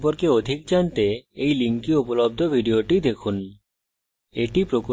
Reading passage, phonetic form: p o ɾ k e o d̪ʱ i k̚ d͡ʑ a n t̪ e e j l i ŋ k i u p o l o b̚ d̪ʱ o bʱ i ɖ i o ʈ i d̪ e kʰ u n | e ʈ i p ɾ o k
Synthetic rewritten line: p o ɾ k e o d̪ʱ i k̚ d͡ʑ a n t̪ e e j l i ŋ k i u p o l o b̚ d̪ʱ o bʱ i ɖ i o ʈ i d̪ e kʰ u n | e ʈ i p ɾ o k

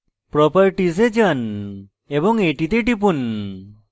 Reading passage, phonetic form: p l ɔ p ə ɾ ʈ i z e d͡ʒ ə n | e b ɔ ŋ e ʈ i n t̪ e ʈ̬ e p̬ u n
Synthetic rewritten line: p ɾ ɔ p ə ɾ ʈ i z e d͡ʒ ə n | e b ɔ ŋ e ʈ i t̪ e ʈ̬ i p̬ u n

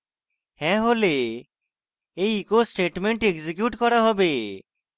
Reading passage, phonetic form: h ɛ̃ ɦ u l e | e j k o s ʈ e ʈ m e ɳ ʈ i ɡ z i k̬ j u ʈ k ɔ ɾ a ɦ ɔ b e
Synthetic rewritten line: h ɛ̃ ɦ o l e | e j k o s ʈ e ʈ m e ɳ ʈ e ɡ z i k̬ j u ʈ k ɔ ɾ a ɦ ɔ b e

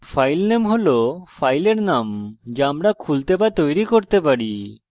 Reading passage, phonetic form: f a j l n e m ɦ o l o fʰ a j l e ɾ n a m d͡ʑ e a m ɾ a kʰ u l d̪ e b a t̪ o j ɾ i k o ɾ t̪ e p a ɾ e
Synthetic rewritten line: f a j l n e m ɦ o l o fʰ a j l e ɾ n a m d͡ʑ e a m ɾ a kʰ u l t̪ e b a t̪ o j ɾ i k o ɾ t̪ e p a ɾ i

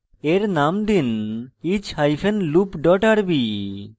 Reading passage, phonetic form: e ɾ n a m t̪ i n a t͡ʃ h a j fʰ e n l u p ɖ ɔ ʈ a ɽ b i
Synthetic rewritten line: e ɾ n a m d̪ i n i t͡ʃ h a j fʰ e n l u p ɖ ɔ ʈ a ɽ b i

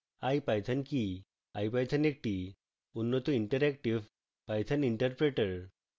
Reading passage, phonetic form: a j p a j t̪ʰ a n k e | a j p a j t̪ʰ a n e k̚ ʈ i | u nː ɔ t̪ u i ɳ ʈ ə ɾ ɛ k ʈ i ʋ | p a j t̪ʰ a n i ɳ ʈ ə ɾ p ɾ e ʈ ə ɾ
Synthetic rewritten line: a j p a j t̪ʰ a n k i | a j p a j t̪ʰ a n e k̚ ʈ i | u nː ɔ t̪ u i ɳ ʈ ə ɾ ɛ k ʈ i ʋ | p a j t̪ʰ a n i ɳ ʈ ə ɾ p ɾ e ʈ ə ɾ

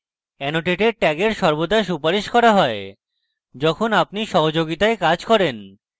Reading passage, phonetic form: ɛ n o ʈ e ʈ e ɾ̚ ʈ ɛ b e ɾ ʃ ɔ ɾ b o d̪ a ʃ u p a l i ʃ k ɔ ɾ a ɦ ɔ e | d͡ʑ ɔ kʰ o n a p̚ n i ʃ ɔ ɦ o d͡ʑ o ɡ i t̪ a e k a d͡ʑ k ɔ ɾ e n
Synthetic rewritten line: ɛ n o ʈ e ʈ e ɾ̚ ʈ ɛ ɡ e ɾ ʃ ɔ ɾ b o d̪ a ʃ u p a ɾ i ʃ k ɔ ɾ a ɦ ɔ e | d͡ʑ ɔ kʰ o n a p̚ n i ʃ ɔ ɦ o d͡ʑ o ɡ i t̪ a e k a d͡ʑ k ɔ ɾ e n

